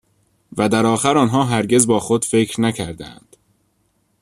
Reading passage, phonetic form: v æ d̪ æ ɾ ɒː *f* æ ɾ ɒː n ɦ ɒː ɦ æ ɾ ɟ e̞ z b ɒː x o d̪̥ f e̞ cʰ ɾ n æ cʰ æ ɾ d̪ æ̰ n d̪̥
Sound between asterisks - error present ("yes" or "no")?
yes